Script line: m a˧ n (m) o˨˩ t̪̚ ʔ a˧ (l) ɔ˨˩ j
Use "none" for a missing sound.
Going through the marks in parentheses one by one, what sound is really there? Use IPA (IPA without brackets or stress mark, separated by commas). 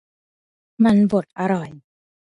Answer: b, ɾ